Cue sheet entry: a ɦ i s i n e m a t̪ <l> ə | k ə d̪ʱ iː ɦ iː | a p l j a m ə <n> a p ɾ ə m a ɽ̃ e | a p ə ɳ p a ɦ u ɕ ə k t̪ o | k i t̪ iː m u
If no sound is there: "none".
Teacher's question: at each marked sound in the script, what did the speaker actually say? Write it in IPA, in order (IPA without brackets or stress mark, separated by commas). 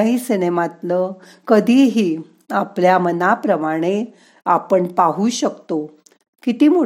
l, n